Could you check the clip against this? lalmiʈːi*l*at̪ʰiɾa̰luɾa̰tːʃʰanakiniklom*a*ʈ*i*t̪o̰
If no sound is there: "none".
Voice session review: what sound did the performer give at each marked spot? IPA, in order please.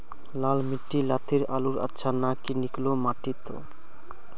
l, a, i

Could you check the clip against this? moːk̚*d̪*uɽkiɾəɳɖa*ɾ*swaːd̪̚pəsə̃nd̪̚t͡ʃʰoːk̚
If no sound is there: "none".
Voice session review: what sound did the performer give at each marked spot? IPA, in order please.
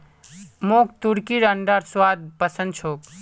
t̪, ɾ

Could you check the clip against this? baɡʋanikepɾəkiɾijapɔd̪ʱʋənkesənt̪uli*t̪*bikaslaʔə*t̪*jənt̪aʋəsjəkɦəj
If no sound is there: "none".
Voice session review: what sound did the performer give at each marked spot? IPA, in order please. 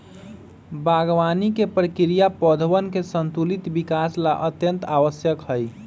t̪, t̪

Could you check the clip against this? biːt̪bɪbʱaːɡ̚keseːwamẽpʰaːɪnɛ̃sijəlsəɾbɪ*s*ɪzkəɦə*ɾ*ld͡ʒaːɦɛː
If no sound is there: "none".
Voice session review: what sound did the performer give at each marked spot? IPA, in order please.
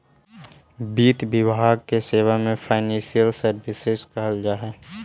s, none

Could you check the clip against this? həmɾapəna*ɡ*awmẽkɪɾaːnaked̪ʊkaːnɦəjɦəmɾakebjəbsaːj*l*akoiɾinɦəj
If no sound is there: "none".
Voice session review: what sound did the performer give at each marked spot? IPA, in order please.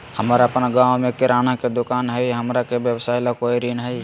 ɡ, l

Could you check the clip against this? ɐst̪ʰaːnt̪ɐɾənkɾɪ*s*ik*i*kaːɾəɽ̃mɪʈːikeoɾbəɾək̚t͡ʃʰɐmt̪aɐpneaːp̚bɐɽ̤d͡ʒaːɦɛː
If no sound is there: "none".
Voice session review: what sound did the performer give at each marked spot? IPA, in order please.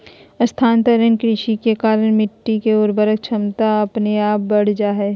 ʃ, e

